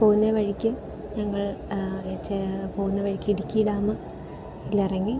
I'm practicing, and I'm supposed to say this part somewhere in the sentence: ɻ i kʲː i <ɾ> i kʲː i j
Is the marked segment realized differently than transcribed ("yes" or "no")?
yes